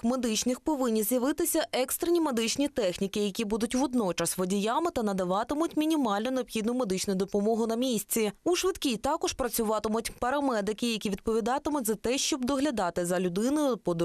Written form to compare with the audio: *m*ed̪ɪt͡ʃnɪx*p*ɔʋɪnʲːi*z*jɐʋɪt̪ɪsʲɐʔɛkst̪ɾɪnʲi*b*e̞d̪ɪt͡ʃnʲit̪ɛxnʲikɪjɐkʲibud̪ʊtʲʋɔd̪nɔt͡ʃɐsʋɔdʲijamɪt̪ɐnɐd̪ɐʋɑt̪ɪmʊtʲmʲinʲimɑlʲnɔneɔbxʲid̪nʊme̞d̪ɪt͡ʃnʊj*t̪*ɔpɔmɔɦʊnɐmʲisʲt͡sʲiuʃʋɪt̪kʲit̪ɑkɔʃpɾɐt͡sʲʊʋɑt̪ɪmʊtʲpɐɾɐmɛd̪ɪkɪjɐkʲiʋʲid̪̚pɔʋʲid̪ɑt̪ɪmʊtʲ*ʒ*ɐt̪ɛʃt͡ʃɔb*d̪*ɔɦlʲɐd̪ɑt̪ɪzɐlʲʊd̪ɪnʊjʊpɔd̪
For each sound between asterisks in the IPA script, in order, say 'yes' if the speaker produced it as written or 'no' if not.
yes, yes, yes, no, no, no, yes

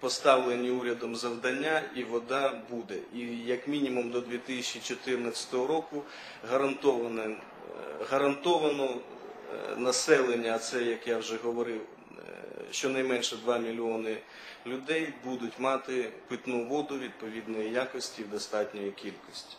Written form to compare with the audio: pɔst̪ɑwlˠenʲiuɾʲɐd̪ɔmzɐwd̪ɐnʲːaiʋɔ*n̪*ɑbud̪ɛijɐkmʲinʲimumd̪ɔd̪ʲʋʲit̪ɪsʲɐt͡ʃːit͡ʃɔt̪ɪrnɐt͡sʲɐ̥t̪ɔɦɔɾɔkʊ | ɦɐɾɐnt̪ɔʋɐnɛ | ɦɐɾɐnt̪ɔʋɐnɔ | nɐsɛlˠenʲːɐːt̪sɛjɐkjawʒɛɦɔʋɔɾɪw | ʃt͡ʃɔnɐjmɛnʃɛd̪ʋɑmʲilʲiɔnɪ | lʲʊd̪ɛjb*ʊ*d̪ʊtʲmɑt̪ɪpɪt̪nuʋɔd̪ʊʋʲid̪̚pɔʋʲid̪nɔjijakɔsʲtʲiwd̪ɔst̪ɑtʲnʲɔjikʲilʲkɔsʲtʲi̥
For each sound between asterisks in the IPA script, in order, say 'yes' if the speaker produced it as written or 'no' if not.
no, no

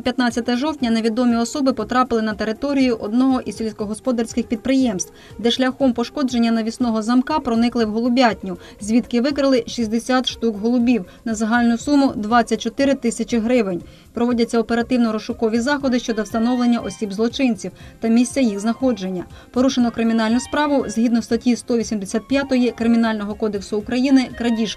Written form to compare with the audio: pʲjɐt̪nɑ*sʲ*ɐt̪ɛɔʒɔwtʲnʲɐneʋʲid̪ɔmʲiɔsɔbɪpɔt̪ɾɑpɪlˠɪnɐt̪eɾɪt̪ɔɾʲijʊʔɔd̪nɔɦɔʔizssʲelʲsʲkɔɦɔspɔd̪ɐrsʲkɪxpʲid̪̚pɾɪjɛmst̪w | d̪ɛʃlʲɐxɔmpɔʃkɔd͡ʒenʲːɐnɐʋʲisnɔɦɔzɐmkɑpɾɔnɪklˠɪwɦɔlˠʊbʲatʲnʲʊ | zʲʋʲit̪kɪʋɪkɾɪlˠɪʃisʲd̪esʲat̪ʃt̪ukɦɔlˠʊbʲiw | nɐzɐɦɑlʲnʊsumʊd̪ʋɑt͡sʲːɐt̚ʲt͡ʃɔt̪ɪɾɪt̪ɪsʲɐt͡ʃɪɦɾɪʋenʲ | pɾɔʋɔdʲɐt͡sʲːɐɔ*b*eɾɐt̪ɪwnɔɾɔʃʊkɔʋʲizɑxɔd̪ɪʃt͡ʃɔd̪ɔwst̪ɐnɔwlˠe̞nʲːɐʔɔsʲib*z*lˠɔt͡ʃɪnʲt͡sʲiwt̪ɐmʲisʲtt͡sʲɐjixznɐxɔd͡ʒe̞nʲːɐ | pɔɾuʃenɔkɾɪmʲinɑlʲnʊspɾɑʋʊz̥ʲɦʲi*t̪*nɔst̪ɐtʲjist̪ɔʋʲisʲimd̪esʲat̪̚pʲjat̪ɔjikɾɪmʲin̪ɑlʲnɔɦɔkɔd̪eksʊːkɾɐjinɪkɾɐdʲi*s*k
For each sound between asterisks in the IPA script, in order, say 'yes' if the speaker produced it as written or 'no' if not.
no, no, yes, no, no

